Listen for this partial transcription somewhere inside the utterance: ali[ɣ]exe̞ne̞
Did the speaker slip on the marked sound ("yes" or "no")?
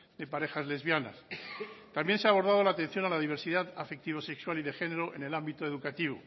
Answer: yes